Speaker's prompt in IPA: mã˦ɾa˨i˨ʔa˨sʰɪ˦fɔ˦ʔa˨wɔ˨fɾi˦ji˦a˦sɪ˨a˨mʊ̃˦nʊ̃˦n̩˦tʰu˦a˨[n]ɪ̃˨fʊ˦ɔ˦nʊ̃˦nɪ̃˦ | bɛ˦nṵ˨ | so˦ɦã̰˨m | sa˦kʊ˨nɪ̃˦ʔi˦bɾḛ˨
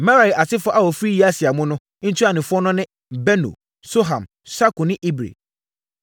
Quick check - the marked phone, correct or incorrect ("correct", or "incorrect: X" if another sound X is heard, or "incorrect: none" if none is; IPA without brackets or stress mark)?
correct